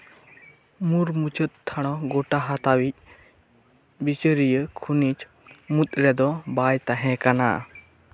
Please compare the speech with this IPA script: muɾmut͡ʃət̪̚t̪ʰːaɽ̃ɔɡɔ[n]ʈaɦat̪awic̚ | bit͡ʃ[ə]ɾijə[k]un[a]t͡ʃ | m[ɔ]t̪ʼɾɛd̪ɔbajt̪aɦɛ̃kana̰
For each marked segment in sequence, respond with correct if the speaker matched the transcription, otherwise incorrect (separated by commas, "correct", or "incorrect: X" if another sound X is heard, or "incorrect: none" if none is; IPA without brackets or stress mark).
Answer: incorrect: none, correct, incorrect: kʰ, incorrect: i, incorrect: u